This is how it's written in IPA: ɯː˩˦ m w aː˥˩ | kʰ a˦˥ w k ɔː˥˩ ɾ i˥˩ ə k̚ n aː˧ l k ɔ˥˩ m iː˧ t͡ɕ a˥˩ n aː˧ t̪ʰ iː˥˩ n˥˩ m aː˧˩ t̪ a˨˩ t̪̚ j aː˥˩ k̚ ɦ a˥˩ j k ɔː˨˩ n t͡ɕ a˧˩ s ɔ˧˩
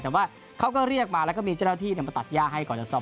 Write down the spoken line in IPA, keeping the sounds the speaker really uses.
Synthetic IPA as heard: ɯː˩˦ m w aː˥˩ | kʰ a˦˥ w k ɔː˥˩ ɾ i˥˩ ə k̚ m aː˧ l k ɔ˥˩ m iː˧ t͡ɕ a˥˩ n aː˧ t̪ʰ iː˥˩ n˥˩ m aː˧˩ t̪ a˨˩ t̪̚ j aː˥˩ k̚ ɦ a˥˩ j k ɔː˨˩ n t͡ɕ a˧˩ s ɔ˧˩